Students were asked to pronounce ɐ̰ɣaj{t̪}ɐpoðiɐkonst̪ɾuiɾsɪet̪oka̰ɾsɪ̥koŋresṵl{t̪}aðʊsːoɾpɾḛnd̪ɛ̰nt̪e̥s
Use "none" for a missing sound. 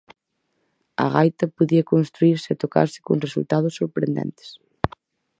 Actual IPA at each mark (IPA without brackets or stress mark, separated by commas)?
t̪, t̪